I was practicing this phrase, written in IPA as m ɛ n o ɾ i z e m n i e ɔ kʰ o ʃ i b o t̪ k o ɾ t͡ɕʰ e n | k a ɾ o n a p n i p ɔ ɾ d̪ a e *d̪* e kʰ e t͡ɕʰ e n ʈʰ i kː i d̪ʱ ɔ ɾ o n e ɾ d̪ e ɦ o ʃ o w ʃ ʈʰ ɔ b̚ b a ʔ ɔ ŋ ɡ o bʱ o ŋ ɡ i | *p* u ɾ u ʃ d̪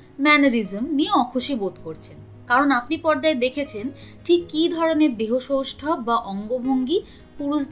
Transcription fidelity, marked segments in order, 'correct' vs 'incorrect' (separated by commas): correct, correct